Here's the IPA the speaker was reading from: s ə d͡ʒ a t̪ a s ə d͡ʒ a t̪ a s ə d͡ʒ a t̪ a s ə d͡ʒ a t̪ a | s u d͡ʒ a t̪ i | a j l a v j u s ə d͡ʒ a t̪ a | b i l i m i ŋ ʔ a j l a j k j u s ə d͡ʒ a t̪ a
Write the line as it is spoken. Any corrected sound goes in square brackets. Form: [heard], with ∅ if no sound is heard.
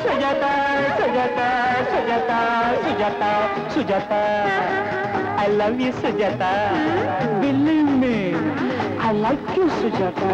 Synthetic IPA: s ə d͡ʒ a t̪ a s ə d͡ʒ a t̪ a s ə d͡ʒ a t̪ a s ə d͡ʒ a t̪ a | s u d͡ʒ a t̪ [a] | a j l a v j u s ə d͡ʒ a t̪ a | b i l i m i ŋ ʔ a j l a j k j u s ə d͡ʒ a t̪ a